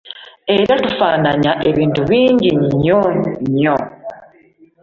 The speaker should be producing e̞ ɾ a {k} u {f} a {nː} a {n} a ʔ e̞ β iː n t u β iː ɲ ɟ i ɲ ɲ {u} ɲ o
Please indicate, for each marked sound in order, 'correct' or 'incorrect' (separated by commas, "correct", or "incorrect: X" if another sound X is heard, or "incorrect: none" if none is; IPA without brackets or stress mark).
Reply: incorrect: t, correct, incorrect: n, incorrect: ɲ, incorrect: o